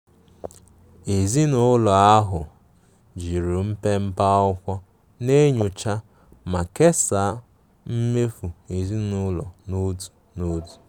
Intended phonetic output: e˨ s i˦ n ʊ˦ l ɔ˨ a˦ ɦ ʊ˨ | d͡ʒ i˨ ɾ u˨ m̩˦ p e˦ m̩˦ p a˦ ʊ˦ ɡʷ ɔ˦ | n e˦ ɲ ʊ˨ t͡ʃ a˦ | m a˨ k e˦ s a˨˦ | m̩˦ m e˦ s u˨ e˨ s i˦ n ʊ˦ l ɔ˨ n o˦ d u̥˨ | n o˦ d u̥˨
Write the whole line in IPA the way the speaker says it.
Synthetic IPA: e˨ z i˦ n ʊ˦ l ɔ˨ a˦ ɦ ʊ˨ | d͡ʒ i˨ ɾ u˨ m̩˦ p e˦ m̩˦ p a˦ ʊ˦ kʷ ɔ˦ | n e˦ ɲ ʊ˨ t͡ʃ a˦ | m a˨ k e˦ s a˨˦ | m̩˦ m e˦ f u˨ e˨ z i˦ n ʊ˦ l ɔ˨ n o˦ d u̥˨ | n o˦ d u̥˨

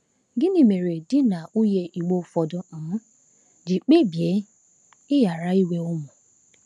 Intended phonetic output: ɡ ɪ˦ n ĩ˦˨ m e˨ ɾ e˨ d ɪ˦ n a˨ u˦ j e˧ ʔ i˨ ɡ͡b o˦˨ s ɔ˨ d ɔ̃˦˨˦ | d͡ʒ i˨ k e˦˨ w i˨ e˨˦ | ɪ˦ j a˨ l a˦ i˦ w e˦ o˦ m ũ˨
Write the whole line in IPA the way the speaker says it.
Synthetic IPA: ɡ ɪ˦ n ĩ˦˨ m e˨ ɾ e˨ d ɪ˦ n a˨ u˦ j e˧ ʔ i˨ ɡ͡b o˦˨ f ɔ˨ d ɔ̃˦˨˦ | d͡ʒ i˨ k͡p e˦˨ b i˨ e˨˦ | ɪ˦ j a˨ ɾ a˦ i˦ w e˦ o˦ m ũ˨

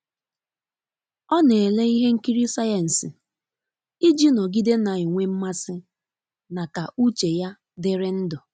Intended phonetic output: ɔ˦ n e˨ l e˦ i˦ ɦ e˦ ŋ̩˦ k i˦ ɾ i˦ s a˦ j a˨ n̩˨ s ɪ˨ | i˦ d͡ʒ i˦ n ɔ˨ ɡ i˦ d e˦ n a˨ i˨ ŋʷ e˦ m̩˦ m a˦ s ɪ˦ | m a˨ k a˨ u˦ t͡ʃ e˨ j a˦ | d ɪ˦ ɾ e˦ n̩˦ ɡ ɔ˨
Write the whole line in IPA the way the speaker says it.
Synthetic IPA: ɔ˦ n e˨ l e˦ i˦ ɦ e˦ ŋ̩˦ k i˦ ɾ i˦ s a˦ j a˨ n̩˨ s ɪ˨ | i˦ d͡ʒ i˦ n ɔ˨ ɡ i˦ d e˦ n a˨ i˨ ŋʷ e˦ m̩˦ m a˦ s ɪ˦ | n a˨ k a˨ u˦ t͡ʃ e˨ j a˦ | d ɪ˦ ɾ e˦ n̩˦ d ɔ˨

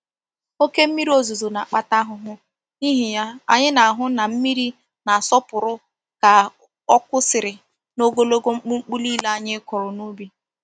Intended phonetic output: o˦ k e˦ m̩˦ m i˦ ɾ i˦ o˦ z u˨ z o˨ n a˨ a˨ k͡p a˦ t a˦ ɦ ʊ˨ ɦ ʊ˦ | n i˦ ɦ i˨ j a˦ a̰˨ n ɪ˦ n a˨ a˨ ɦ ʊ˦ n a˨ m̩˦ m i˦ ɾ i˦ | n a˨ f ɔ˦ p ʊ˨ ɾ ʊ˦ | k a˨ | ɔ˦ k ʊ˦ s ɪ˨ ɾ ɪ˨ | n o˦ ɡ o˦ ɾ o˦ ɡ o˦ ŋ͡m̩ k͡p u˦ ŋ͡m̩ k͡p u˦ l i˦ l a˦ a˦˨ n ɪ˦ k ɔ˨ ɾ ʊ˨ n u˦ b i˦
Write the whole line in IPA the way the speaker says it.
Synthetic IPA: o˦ k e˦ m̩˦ m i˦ ɾ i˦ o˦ z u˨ z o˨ n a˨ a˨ k͡p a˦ t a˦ ɦ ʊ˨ ɦ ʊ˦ | n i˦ ɦ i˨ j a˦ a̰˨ ɲ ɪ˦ n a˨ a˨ ɦ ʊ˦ n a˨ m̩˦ m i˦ ɾ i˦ | n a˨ s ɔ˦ p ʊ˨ ɾ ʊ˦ | k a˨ | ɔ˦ k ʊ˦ s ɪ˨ ɾ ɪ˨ | n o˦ ɡ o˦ l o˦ ɡ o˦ ŋ͡m̩ k͡p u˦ ŋ͡m̩ k͡p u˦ l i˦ l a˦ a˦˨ ɲ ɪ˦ k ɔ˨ ɾ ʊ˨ n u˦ b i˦

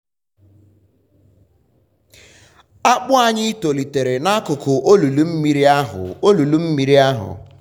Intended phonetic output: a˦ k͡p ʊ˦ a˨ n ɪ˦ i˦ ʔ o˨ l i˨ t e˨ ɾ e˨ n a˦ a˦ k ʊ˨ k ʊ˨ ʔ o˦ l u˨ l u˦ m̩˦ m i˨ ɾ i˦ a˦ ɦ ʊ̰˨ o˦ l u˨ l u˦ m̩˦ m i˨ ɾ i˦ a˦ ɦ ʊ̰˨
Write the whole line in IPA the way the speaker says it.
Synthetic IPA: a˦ k͡p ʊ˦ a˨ ɲ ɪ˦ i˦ t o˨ l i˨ t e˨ ɾ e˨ n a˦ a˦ k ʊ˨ k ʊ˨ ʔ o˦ l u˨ l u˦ m̩˦ m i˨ ɾ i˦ a˦ ɦ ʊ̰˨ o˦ l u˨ l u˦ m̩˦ m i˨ ɾ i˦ a˦ ɦ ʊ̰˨

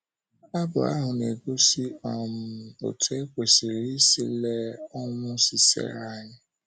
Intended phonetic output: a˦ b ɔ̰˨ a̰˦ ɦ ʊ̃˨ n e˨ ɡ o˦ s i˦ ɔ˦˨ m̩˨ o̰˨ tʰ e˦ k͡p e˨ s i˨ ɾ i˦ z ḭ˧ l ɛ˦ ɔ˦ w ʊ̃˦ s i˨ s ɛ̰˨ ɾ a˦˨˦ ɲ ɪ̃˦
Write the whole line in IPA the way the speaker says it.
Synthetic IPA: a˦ b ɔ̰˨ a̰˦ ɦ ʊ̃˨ n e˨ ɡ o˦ s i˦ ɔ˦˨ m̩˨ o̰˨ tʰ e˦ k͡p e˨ s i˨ ɾ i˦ s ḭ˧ l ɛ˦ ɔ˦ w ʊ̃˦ s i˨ s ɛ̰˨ ɾ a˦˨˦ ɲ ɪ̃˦

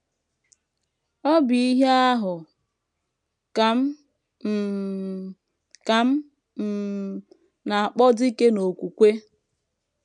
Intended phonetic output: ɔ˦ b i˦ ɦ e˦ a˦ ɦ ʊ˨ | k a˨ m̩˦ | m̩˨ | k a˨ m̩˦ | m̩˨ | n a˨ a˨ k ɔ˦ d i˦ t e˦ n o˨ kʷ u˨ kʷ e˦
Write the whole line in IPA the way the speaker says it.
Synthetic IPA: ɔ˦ b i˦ ɦ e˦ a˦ ɦ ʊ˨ | k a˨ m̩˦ | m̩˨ | k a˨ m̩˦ | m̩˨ | n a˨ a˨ k͡p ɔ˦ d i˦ k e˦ n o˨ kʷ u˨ kʷ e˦

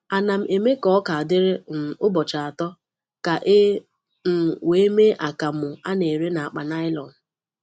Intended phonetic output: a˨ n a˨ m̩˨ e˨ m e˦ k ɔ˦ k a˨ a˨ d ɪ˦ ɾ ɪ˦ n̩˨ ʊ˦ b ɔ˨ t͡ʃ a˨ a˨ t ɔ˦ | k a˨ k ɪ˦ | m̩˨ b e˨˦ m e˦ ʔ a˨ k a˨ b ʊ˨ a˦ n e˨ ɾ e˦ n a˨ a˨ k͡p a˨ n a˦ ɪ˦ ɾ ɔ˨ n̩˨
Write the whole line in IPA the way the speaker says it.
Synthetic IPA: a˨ n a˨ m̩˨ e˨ m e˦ k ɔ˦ k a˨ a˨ d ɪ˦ ɾ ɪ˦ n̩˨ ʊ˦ b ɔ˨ t͡ʃ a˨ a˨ t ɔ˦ | k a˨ ʔ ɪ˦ | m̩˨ w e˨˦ m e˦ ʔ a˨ k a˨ m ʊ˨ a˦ n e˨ ɾ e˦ n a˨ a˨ k͡p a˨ n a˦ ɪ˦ l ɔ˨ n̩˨

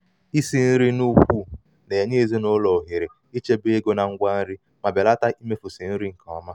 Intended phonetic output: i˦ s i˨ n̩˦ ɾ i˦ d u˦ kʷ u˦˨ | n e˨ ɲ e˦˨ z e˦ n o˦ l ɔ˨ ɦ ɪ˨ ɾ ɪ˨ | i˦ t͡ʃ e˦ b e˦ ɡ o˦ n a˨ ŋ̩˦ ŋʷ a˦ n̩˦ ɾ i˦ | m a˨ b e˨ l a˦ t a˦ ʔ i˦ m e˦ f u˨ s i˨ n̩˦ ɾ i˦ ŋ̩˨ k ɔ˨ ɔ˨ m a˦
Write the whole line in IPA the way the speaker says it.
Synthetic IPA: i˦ s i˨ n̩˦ ɾ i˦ n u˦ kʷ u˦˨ | n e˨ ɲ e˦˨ z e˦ n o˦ l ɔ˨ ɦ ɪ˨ ɾ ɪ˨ | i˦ t͡ʃ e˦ b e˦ ɡ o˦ n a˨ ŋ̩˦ ɡʷ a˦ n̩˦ ɾ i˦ | m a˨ b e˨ l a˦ t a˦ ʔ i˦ m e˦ f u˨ s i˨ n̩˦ ɾ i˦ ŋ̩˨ k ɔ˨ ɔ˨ m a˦

